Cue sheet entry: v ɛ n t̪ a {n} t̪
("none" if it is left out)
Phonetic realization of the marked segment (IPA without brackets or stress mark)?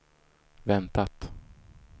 none